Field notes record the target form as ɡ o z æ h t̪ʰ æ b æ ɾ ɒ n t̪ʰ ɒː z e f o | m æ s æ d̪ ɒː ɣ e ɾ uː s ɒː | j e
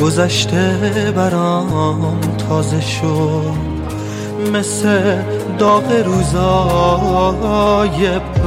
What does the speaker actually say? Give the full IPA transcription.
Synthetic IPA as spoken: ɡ o z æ ʃ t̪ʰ e b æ ɾ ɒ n t̪ʰ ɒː z e ʃ o | m e s e d̪ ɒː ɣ e ɾ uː z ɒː | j e